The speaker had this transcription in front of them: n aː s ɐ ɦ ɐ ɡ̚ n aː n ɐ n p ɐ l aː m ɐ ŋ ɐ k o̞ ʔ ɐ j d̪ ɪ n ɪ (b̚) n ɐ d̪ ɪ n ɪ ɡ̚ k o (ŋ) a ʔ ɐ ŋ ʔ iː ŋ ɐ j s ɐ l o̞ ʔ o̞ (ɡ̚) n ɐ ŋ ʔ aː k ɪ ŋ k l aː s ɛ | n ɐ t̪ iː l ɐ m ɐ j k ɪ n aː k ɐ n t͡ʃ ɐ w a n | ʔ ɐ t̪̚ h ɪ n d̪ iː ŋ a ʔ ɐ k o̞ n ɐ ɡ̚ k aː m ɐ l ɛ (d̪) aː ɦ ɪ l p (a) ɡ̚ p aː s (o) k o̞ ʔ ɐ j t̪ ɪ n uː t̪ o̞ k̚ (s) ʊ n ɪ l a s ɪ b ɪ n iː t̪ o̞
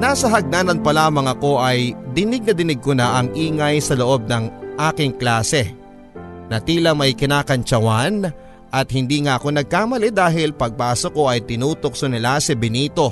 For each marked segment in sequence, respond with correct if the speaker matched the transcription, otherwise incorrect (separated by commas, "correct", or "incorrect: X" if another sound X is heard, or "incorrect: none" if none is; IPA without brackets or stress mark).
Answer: incorrect: ɡ̚, incorrect: n, incorrect: b̚, correct, incorrect: ɐ, correct, correct